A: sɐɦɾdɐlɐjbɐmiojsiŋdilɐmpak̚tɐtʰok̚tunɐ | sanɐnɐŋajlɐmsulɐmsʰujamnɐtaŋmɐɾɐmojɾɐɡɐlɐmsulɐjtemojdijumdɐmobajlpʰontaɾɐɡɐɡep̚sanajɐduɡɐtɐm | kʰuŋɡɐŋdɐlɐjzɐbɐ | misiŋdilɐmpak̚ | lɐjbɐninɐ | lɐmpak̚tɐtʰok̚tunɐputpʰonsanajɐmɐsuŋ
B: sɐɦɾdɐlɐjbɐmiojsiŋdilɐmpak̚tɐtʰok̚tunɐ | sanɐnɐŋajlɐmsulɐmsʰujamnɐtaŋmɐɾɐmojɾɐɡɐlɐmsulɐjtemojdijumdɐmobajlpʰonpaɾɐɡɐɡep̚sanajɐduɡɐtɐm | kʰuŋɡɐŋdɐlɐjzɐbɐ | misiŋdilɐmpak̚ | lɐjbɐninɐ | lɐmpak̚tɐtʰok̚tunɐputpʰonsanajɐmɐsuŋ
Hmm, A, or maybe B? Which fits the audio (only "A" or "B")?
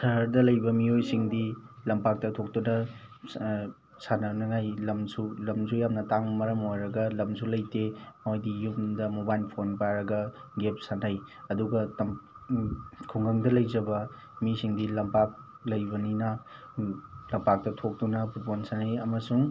B